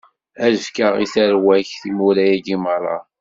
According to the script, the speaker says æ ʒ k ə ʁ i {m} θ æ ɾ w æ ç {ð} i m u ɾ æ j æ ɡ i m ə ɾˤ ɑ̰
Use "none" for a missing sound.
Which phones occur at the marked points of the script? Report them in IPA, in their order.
none, θ

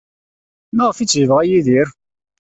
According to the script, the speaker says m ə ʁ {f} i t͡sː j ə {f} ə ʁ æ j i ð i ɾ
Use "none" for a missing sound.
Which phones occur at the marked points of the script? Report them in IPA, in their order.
f, v

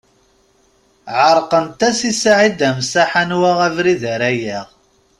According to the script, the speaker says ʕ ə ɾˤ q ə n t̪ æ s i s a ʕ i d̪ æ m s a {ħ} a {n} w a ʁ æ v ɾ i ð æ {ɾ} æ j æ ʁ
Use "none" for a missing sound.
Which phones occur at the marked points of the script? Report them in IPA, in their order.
ħ, n, ɾ

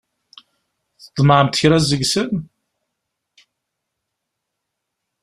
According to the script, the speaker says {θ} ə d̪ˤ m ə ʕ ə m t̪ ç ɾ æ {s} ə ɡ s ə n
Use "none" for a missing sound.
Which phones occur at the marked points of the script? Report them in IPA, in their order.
θ, z

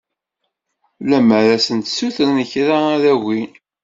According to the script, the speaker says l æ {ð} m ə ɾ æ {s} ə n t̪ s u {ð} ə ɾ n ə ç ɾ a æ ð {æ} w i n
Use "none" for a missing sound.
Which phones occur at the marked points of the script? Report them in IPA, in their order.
none, s, θ, æ

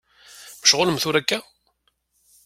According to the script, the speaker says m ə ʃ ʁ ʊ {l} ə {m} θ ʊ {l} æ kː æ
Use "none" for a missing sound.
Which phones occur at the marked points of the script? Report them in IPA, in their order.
l, m, ɾ

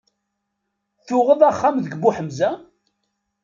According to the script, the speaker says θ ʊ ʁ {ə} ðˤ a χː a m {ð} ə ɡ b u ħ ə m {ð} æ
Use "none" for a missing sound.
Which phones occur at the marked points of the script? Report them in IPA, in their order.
ə, ð, z

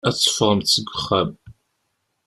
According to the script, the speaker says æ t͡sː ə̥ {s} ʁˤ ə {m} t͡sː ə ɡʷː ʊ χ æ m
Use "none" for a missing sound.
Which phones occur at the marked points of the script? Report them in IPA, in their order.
f, m

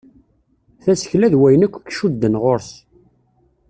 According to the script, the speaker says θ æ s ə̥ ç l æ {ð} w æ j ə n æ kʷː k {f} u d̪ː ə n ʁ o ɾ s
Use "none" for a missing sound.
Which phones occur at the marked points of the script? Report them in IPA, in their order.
ð, ʃ

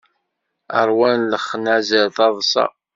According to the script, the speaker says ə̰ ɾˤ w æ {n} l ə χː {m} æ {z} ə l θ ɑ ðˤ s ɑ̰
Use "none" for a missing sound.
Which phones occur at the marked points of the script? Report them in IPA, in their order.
n, n, z

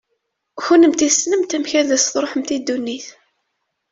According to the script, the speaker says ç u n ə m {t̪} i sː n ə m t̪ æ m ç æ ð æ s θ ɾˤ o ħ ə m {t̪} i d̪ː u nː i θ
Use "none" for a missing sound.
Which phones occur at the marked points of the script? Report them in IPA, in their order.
t̪, t̪

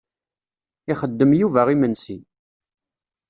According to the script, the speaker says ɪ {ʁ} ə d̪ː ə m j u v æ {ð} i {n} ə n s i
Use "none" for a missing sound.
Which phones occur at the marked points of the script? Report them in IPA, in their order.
χ, ʁ, m

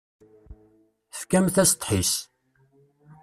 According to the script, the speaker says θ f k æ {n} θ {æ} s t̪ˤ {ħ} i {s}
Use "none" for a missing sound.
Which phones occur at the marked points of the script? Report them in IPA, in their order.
m, æ, ħ, s

